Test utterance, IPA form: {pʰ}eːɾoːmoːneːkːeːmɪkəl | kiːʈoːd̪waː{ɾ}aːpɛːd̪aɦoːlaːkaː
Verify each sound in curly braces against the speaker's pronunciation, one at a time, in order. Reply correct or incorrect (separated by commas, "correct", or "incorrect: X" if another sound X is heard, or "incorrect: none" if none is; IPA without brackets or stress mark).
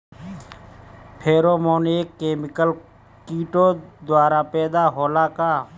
correct, correct